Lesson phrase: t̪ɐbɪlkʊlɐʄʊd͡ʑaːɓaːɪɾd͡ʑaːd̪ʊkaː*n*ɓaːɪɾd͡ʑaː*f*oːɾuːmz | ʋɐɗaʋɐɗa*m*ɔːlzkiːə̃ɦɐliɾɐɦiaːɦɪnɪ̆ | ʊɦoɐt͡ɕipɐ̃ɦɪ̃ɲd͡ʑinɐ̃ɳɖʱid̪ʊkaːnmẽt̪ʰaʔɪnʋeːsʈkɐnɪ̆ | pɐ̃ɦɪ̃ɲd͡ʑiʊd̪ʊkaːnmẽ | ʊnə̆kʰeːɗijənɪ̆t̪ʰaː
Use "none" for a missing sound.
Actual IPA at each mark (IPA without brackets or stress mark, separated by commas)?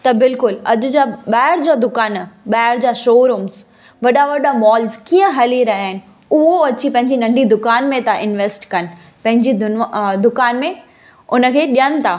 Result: n, ʃ, m